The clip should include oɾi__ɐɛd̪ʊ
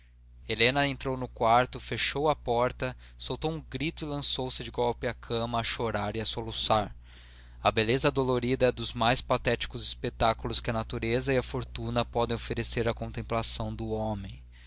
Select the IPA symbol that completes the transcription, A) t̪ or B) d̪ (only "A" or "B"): B